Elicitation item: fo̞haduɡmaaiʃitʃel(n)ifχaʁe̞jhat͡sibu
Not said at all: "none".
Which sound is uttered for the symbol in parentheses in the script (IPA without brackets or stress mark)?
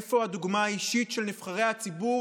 n